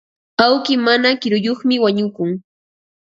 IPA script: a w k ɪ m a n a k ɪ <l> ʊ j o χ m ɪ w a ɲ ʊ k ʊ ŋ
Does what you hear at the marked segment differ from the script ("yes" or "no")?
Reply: yes